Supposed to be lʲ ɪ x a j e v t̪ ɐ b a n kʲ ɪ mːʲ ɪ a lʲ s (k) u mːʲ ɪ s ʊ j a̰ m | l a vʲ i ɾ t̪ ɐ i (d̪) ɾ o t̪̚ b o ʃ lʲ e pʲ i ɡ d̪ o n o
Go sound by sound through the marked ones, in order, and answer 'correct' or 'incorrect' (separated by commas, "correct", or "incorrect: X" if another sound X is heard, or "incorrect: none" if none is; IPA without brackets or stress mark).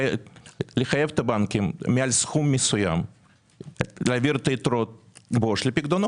incorrect: x, incorrect: t̪